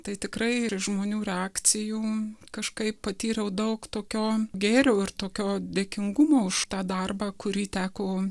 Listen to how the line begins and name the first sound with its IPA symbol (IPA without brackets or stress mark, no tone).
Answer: t̪